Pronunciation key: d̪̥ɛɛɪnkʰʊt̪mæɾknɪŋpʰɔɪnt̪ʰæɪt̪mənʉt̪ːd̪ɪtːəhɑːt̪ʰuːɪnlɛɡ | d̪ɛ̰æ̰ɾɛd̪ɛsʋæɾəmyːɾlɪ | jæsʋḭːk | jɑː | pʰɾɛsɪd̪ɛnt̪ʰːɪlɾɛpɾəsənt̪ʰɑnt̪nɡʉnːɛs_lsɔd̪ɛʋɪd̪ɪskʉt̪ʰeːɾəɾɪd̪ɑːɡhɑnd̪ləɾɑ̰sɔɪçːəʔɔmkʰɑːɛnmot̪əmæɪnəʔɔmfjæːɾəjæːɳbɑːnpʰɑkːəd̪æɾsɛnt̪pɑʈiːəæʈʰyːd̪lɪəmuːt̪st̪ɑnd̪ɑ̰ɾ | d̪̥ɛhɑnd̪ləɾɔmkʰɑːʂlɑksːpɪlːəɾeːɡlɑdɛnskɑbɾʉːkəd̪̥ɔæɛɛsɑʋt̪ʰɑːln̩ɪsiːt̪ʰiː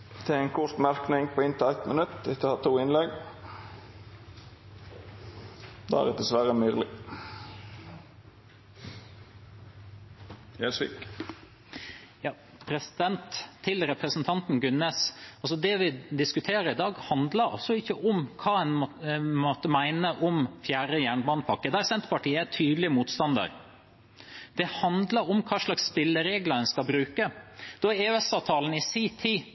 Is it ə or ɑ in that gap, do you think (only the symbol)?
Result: ɑ